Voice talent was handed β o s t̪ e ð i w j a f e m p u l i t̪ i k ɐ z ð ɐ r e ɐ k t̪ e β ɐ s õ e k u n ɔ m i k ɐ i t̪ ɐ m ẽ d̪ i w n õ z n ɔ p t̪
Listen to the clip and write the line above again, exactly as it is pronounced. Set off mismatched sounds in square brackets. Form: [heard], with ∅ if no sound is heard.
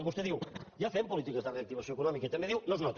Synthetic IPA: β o s t̪ e ð i w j a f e m p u l i t̪ i k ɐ z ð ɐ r e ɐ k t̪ [i] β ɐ s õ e k u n ɔ m i k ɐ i t̪ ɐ m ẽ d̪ i w n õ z n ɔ [∅] t̪